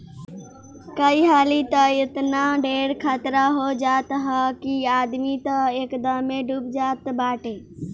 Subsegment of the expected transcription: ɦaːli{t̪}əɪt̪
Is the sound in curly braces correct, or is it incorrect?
correct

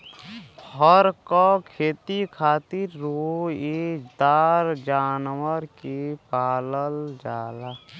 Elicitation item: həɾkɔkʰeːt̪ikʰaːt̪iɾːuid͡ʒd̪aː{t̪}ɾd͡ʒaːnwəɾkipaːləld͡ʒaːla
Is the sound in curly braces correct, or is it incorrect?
incorrect: none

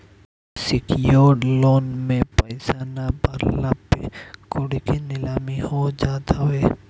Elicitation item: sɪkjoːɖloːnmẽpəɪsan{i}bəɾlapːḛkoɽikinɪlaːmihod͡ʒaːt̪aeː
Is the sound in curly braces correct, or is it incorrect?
incorrect: a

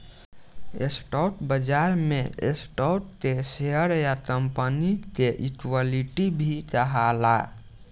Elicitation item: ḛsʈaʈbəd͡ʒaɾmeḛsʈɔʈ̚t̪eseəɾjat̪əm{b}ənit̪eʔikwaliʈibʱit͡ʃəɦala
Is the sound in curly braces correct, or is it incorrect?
incorrect: p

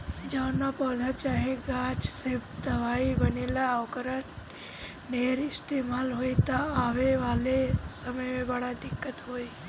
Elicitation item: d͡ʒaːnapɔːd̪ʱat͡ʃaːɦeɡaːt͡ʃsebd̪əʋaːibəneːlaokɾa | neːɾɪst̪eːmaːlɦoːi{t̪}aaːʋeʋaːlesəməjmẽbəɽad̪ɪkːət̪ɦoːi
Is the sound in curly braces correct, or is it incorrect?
correct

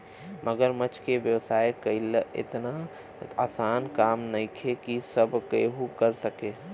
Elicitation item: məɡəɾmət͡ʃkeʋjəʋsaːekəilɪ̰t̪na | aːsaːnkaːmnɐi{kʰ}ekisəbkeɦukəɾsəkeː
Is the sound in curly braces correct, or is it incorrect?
correct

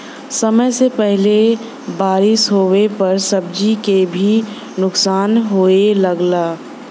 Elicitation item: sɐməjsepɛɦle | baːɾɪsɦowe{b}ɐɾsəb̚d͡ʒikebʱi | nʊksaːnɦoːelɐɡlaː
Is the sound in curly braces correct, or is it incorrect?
incorrect: p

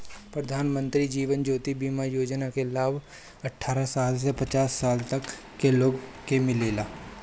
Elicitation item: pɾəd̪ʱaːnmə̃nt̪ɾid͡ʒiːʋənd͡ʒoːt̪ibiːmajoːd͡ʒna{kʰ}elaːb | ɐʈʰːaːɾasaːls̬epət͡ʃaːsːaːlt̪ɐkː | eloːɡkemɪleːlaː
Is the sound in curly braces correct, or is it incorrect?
incorrect: k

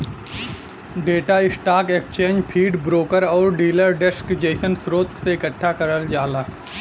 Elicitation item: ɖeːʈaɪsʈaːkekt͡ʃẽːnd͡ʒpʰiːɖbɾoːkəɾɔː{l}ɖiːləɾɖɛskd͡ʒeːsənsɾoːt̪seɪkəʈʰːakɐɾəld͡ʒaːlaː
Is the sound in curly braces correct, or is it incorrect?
incorrect: ɾ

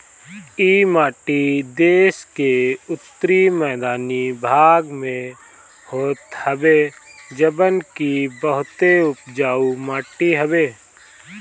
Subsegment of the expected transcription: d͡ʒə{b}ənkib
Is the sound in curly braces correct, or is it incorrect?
correct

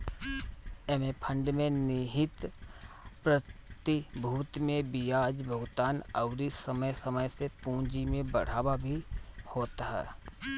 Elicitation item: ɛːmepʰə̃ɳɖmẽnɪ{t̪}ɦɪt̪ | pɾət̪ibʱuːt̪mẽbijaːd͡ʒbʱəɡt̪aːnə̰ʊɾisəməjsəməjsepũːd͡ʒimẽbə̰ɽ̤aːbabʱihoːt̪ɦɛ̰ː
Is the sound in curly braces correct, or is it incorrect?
incorrect: none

